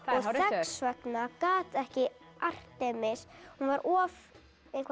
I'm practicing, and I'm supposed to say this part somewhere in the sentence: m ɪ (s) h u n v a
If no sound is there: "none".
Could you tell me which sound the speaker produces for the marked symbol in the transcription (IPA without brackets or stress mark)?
s